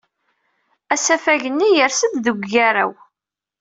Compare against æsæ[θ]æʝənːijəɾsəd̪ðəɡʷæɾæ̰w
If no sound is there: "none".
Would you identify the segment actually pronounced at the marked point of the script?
f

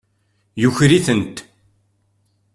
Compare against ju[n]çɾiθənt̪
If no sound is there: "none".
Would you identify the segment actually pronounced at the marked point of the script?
none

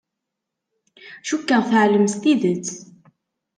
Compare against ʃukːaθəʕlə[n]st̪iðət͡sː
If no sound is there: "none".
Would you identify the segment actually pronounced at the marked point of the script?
m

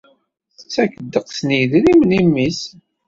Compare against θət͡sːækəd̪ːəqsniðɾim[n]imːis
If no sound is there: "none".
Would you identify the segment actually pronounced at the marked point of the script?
n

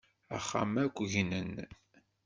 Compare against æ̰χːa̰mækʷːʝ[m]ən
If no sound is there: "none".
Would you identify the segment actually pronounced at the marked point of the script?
n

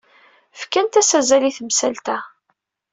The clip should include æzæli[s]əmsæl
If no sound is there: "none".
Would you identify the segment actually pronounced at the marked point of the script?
θ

